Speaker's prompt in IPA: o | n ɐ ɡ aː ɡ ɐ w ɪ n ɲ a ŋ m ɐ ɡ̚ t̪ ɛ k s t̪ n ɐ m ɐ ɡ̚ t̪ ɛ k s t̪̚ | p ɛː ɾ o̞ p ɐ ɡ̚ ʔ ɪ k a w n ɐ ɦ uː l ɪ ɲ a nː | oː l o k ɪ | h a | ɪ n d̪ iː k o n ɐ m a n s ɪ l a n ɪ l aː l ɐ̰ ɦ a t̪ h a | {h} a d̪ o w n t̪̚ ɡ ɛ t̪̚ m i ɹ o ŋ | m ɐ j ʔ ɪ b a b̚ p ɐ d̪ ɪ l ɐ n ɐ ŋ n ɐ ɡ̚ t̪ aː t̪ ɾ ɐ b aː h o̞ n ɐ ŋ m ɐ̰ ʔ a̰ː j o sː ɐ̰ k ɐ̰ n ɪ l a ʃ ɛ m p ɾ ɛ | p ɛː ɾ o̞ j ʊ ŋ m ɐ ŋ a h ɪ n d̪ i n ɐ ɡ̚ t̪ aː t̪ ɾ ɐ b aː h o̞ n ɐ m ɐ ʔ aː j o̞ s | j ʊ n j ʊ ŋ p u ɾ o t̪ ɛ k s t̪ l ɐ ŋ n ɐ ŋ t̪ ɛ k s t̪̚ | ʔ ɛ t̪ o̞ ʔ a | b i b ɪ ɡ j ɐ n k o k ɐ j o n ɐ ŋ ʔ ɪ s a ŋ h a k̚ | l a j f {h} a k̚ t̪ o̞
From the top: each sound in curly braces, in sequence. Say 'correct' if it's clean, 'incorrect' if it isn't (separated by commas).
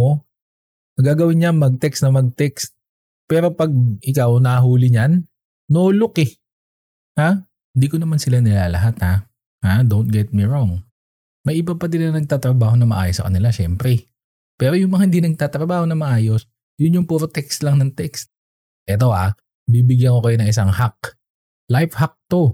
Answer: correct, correct